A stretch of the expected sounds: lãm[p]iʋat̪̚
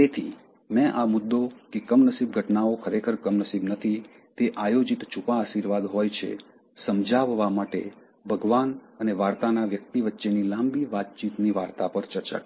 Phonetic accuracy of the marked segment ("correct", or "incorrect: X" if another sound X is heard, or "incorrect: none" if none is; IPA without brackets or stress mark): incorrect: b